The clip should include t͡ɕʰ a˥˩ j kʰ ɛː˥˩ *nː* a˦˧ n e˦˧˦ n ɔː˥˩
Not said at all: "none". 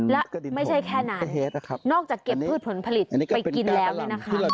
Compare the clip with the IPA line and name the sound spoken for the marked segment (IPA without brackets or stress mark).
n